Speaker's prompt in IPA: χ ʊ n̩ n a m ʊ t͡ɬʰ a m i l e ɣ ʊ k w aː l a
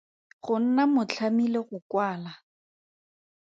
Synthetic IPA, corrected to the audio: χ ʊ n̩ n a m ʊ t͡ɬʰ a m i l e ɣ ʊ k w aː l a

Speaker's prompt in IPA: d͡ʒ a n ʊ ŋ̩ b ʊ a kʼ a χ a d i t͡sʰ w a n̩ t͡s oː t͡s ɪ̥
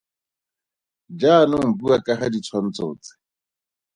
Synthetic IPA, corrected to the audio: d͡ʒ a n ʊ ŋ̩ b u a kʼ a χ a d i t͡sʰ w a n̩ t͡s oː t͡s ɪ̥

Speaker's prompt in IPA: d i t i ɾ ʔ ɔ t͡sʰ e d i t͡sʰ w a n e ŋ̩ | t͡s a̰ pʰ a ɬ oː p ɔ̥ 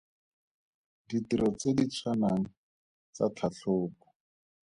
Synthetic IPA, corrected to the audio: d i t i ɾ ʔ ɔ t͡s e d i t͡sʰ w a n a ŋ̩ | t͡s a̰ tʰ a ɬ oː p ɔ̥

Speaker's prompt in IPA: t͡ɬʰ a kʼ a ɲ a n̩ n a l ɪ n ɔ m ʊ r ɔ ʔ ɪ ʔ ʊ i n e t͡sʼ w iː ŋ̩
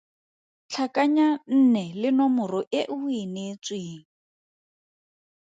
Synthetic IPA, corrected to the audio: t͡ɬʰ a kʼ a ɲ a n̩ n ɛ l ɪ n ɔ m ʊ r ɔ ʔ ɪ ʔ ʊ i n e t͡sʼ w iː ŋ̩

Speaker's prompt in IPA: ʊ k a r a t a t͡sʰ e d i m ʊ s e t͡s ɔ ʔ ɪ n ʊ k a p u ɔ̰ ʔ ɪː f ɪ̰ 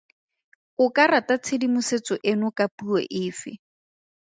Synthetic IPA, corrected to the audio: ʊ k a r a t a t͡sʰ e d i m ʊ s e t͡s ɔ ʔ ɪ n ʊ k a p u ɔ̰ ʔ ɪː f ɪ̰

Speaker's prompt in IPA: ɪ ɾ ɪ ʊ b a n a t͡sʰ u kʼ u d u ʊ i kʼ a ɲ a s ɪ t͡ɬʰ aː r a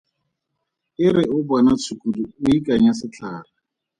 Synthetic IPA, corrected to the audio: ɪ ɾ ɪ ʊ b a n a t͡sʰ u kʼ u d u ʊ i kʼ a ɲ a s ɪ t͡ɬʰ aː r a

